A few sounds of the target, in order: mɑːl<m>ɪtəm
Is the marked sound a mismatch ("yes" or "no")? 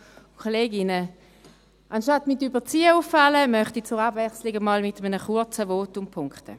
no